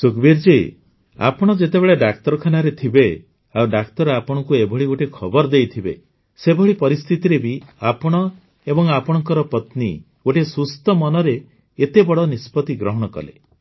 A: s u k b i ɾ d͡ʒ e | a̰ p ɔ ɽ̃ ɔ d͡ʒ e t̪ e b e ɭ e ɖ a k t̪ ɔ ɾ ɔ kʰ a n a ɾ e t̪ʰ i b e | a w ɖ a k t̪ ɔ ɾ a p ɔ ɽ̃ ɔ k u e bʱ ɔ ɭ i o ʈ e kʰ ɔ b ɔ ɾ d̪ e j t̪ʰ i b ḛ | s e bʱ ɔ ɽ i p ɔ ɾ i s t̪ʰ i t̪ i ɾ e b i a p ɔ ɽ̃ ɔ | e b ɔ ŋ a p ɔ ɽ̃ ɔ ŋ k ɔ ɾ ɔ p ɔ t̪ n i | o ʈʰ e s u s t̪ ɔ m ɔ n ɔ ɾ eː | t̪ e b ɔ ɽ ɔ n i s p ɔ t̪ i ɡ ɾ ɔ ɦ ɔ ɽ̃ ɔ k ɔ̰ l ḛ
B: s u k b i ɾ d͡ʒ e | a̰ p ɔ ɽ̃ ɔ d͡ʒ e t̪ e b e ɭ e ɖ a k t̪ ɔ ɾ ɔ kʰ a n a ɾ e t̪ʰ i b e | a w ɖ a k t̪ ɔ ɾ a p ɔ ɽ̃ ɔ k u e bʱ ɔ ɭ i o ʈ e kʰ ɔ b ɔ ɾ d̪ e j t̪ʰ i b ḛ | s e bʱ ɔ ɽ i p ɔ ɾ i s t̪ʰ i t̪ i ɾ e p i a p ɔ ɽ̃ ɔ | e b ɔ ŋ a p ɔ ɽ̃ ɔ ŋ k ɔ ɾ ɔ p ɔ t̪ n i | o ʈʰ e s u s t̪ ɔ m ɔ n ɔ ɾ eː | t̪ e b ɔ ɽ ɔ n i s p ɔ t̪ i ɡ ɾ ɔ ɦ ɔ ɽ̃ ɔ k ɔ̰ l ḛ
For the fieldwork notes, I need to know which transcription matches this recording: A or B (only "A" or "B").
A